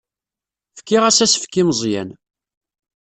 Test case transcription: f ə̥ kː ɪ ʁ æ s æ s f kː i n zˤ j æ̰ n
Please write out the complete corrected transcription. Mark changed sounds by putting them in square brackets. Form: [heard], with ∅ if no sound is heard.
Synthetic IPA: f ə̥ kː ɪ ʁ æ s æ s f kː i [m] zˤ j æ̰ n